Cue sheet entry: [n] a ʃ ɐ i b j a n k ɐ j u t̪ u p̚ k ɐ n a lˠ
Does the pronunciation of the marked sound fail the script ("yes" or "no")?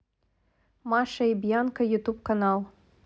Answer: yes